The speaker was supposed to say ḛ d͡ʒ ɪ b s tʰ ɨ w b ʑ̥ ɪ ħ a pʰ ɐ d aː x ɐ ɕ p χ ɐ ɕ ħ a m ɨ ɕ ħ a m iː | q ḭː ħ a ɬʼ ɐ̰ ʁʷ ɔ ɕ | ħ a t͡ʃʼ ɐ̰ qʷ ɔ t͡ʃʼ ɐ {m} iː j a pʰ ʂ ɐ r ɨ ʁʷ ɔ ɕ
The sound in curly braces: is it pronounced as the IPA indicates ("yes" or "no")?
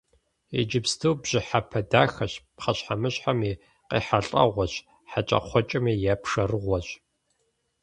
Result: yes